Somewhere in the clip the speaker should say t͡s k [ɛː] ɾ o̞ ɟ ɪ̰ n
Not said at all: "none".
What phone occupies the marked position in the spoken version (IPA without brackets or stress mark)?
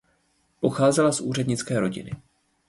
ɛː